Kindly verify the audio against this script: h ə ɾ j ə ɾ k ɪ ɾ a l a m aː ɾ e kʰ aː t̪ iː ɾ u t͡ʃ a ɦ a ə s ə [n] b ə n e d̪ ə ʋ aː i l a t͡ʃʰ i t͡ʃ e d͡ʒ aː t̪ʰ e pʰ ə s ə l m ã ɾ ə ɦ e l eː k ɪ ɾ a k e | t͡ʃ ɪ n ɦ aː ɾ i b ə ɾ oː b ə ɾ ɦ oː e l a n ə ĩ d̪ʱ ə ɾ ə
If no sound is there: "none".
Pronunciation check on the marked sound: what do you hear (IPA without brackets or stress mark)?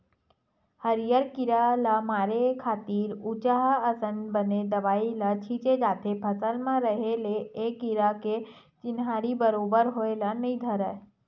n